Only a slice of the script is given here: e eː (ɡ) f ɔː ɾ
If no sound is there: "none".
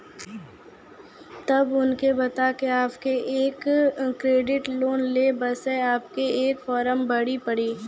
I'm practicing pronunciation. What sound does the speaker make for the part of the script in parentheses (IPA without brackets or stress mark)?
k